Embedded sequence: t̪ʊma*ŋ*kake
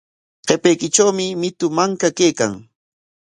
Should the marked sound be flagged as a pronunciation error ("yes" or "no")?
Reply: no